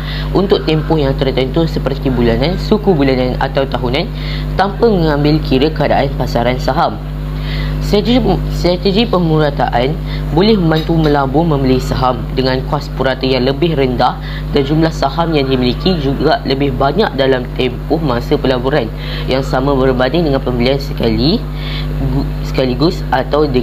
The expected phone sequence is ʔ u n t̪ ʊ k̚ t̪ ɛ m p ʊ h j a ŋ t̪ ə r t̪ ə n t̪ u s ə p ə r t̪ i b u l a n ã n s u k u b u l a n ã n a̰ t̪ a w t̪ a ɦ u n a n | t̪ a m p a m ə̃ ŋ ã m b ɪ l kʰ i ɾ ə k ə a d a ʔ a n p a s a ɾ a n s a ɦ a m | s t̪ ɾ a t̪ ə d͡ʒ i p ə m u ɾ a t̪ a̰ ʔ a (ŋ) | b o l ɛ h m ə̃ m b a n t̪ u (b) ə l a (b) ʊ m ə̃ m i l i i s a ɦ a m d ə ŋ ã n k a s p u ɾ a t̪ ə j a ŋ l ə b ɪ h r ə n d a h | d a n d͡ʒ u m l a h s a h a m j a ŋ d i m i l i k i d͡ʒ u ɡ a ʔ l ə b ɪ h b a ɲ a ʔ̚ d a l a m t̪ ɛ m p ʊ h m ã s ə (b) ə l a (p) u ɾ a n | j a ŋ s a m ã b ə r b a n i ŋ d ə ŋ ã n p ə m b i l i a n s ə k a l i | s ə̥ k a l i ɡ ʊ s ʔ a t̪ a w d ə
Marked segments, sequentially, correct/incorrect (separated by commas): incorrect, incorrect, correct, incorrect, incorrect